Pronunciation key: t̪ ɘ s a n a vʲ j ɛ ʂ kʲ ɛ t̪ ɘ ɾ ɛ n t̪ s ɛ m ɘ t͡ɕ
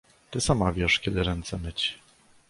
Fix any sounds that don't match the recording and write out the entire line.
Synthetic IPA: t̪ ɘ s a m a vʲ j ɛ ʂ kʲ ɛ d̪ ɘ ɾ ɛ n t̪ s ɛ m ɘ t͡ɕ